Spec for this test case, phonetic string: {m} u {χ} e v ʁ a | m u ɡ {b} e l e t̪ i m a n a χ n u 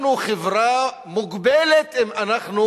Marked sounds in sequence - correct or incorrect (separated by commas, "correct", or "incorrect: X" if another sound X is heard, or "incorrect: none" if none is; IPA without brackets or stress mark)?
incorrect: n, correct, correct